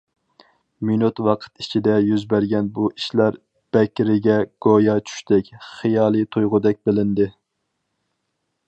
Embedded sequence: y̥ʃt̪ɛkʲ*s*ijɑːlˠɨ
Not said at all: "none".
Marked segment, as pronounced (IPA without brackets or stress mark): χ